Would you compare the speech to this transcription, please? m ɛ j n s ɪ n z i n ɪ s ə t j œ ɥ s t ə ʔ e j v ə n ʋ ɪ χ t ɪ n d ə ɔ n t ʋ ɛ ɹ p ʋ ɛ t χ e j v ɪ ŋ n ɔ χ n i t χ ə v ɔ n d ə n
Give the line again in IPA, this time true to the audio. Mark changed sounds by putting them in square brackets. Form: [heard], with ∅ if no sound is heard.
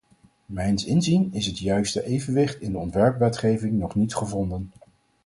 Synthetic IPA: m ɛ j n s ɪ n z i n ɪ s ə t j œ ɥ s t ə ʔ e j v ə n ʋ ɪ χ t ɪ n d ə ɔ n t ʋ ɛ ɹ p ʋ ɛ t χ e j v ɪ ŋ n ɔ χ n i t χ ə v ɔ n d ə n